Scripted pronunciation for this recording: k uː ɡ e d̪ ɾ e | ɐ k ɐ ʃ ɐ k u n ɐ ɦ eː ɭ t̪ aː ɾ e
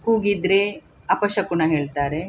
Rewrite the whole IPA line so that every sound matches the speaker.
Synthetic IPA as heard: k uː ɡ i d̪ ɾ e | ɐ p ɐ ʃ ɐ k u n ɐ ɦ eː ɭ t̪ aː ɾ e